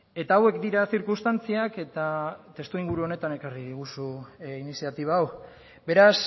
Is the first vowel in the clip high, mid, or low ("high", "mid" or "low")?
mid